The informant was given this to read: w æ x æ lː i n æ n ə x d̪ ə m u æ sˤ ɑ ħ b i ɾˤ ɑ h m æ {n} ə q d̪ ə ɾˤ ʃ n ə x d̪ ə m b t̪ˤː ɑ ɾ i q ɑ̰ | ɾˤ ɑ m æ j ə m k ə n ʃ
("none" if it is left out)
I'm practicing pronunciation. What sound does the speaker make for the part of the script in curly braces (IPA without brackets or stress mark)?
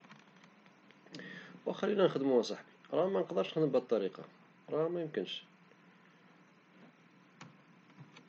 n